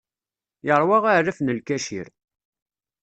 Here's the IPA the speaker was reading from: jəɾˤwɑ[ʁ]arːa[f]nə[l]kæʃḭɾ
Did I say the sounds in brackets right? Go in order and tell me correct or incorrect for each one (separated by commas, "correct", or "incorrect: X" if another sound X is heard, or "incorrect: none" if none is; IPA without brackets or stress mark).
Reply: correct, correct, correct